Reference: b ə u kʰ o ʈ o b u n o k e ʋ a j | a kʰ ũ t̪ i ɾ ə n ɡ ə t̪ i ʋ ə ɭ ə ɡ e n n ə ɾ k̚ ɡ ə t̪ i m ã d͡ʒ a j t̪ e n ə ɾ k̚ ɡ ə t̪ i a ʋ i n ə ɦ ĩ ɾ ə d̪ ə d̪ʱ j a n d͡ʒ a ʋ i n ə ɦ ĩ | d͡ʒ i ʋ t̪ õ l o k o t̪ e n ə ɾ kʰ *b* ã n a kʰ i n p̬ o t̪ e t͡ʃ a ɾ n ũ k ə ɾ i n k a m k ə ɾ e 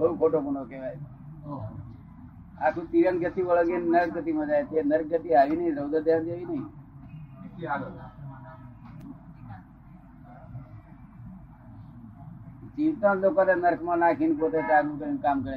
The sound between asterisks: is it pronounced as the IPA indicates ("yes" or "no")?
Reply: no